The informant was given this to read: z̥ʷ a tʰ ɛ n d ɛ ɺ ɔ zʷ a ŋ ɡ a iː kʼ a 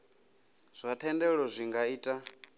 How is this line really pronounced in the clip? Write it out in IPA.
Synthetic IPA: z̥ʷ a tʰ ɛ n d ɛ ɺ ɔ zʷ i ŋ ɡ a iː tʼ a